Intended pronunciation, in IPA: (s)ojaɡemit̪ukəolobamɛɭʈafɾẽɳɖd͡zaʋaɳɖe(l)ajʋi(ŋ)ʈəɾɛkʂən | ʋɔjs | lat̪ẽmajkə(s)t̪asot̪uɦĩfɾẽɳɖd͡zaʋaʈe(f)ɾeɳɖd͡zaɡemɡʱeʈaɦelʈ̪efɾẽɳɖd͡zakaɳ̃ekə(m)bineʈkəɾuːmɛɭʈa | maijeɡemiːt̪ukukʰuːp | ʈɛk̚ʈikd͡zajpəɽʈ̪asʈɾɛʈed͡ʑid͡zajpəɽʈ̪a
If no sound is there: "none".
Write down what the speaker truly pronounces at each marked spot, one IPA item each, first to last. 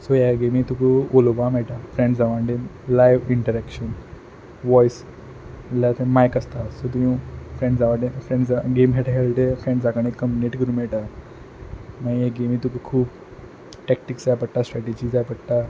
s, l, ɳ, s, f, m

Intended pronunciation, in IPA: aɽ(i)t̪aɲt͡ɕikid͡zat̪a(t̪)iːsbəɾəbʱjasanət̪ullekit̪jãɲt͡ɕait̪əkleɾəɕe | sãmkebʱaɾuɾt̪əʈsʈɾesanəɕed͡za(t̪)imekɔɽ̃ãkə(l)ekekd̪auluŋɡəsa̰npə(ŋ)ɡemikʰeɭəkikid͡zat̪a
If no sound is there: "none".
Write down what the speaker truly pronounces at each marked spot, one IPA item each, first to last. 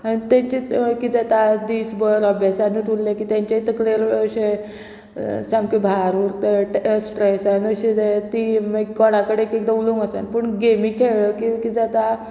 i, d̪, t̪, ɽ, ɳ

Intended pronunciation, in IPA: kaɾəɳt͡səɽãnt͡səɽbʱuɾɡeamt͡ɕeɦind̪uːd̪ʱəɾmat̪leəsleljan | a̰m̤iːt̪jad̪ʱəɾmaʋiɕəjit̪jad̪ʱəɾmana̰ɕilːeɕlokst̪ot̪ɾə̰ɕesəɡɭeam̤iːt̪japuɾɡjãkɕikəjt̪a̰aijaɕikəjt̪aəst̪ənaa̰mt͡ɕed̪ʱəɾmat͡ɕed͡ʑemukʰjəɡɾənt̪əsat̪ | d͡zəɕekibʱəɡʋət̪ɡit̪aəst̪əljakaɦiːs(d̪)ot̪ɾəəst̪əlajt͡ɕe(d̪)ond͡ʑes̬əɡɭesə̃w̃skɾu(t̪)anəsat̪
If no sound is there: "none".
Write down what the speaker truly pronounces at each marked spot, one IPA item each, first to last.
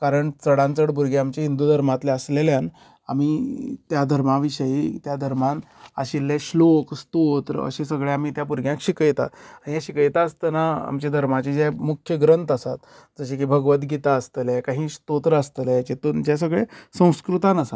t̪, t̪, t̪

